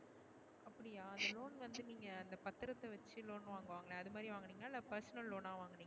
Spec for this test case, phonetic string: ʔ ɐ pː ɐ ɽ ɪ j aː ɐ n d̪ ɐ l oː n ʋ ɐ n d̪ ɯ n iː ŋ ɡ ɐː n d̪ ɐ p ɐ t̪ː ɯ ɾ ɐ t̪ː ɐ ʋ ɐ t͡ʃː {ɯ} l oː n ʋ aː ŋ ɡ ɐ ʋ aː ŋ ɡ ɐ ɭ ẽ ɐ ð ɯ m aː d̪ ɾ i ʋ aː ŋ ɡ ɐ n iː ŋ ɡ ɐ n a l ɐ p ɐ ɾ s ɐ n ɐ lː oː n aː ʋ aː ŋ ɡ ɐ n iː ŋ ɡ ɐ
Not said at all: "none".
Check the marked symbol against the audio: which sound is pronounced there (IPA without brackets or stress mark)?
ɯ